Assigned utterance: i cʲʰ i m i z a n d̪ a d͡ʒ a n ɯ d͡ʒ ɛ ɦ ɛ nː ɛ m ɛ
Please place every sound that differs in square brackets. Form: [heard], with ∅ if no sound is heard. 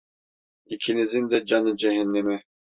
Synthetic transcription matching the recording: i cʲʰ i [n] i z [i] n d̪ [ɛ] d͡ʒ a n ɯ d͡ʒ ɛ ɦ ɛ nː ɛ m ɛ